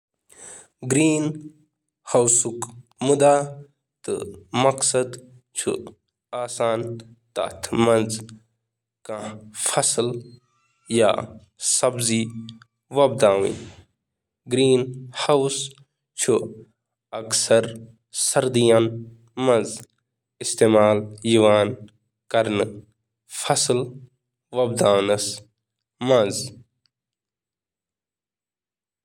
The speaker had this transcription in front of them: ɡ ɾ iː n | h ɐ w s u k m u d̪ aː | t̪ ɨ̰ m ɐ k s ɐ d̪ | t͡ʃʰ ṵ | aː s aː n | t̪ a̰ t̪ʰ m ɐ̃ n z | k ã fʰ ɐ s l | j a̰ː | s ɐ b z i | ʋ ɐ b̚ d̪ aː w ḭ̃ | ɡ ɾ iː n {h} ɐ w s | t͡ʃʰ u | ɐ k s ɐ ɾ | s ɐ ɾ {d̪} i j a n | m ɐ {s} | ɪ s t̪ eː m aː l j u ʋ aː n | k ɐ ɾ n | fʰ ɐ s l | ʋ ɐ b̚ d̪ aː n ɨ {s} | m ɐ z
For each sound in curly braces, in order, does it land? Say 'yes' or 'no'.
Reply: yes, yes, no, yes

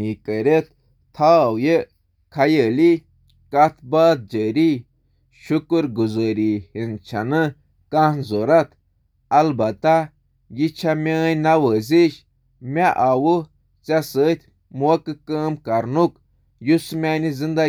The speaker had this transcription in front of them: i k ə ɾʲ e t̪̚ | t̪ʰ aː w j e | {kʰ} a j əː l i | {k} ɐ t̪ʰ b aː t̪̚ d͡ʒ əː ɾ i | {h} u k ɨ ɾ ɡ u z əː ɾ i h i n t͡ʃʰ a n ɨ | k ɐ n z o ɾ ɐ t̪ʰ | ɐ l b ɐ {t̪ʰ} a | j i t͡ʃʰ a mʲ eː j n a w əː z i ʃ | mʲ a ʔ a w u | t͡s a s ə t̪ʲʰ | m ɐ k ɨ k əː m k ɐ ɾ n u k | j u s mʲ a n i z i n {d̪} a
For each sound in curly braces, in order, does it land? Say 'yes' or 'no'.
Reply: yes, yes, no, no, yes

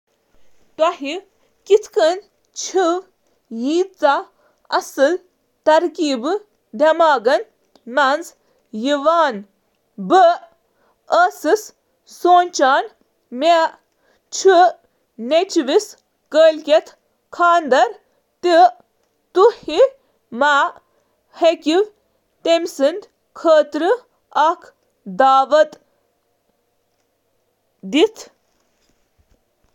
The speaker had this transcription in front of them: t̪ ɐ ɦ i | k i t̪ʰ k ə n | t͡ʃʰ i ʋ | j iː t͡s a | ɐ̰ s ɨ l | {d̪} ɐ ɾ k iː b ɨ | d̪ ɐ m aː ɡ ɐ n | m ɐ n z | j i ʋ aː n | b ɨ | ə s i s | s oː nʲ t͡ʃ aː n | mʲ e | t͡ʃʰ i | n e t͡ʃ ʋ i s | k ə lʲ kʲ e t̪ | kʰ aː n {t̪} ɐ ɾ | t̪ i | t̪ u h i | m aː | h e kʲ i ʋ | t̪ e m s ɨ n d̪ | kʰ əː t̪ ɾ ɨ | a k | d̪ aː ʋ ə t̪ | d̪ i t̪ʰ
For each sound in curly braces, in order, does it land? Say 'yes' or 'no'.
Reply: no, no

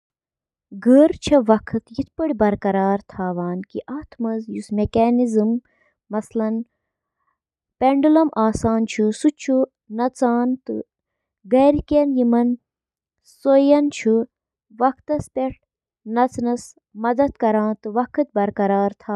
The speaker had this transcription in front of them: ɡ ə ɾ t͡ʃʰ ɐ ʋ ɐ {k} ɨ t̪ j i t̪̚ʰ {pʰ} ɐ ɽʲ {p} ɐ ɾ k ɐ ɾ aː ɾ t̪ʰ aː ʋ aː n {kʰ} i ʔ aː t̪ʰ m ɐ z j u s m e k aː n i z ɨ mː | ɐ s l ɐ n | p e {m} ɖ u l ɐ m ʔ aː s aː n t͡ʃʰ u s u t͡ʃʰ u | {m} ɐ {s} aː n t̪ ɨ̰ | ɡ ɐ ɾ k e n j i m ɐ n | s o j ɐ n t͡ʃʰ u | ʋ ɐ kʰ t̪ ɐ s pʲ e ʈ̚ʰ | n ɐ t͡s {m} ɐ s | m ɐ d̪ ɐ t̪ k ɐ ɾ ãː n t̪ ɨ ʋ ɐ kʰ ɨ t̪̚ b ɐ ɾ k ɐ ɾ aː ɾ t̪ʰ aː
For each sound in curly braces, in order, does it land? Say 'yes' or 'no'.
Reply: no, no, no, no, no, no, no, no

